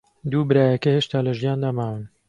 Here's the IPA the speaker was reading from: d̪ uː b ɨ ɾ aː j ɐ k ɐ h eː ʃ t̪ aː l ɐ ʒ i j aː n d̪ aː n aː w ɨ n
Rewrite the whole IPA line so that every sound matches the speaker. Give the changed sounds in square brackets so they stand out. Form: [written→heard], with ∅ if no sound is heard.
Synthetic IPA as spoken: d̪ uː b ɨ ɾ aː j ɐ k ɐ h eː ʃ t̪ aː l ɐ ʒ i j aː n d̪ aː [n→m] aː w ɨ n